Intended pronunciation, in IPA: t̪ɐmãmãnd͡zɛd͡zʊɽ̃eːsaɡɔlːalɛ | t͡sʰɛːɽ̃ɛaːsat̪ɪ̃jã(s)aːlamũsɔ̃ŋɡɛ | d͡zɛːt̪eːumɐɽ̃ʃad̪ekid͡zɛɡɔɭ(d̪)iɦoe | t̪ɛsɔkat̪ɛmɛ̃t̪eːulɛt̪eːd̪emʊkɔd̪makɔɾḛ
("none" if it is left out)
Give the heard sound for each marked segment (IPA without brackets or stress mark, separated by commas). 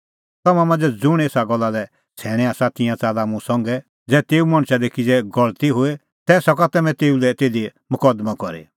t͡s, t̪